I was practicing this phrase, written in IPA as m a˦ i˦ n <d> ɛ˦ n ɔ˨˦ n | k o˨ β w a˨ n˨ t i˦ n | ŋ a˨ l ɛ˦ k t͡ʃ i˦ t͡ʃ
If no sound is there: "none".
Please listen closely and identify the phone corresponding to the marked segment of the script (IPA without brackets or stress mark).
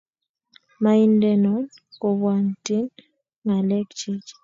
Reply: d